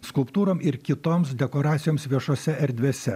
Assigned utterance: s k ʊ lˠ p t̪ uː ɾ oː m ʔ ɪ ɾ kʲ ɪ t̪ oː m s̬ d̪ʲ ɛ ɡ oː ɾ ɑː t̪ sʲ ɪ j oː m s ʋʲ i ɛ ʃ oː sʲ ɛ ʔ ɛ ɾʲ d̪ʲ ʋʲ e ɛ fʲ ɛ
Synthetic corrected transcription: s k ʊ lˠ p t̪ uː ɾ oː m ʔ ɪ ɾ kʲ ɪ t̪ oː m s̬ d̪ʲ ɛ k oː ɾ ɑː t̪ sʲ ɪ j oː m s ʋʲ i ɛ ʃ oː sʲ ɛ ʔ ɛ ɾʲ d̪ʲ ʋʲ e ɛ sʲ ɛ

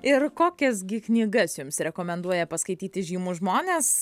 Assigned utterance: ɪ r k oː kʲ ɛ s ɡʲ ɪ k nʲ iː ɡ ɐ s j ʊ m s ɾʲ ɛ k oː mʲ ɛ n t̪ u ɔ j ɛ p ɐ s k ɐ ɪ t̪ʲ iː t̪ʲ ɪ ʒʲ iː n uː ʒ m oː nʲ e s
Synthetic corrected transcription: ɪ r k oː kʲ ɛ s ɡʲ ɪ k nʲ iː ɡ ɐ s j ʊ m s ɾʲ ɛ k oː mʲ ɛ n d̪ u ɔ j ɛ p ɐ s k ɐ ɪ t̪ʲ iː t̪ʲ ɪ ʒʲ iː m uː ʒ m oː nʲ e s

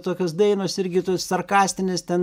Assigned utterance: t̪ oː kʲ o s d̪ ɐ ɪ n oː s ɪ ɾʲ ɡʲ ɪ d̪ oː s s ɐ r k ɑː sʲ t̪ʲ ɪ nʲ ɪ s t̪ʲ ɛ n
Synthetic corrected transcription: t̪ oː kʲ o s d̪ ɐ ɪ n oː s ɪ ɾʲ ɡʲ ɪ t̪ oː s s ɐ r k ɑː sʲ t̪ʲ ɪ nʲ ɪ s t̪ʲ ɛ n

